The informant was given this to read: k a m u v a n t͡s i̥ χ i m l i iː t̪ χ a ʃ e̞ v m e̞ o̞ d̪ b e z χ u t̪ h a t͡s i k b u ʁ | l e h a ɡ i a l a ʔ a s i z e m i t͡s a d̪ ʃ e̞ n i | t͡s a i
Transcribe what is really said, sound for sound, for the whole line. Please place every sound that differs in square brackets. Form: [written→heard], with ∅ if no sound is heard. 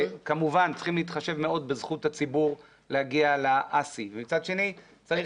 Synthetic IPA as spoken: k a m u v a n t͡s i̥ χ i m l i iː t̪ χ a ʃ e̞ v m e̞ o̞ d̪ b e z χ u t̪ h a t͡s i [k→∅] b u ʁ | l e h a ɡ i a l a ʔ a s i [z→v] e m i t͡s a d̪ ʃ e̞ n i | t͡s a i